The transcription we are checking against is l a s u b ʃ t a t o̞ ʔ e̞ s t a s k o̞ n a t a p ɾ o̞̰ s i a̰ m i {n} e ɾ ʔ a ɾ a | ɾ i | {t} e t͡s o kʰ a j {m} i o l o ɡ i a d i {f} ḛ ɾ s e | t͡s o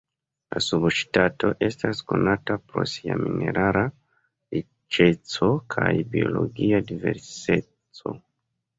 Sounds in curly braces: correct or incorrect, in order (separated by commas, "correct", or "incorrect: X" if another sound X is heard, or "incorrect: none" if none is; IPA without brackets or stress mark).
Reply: correct, incorrect: t͡ʃ, incorrect: b, incorrect: v